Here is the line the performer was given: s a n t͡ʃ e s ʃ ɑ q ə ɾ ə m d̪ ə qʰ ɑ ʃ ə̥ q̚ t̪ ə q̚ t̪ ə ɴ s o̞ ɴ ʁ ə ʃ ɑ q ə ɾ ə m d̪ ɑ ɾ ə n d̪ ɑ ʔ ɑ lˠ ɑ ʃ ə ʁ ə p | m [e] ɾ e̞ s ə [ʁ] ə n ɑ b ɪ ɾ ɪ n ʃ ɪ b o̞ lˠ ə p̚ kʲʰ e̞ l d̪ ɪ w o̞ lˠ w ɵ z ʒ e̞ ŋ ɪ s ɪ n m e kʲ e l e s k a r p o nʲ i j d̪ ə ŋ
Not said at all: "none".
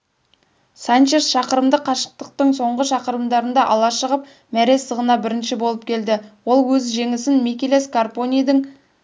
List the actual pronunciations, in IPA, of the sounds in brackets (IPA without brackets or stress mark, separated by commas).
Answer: æ, ʁ